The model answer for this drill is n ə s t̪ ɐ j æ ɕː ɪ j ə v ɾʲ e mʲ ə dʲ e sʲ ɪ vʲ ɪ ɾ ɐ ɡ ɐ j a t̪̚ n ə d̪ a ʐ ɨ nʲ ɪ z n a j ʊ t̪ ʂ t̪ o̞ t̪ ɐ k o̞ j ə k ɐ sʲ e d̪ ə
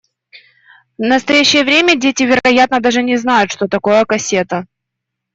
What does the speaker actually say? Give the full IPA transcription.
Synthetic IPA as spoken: n ə s t̪ ɐ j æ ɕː ɪ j ə v ɾʲ e mʲ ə dʲ e tʲ ɪ vʲ ɪ ɾ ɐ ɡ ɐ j a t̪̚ n ə d̪ a ʐ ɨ nʲ ɪ z n a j ʊ t̪ ʂ t̪ o̞ t̪ ɐ k o̞ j ə k ɐ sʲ e t̪ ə